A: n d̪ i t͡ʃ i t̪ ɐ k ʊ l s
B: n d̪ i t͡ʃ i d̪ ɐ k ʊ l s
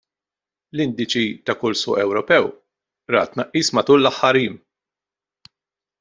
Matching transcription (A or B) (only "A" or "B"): A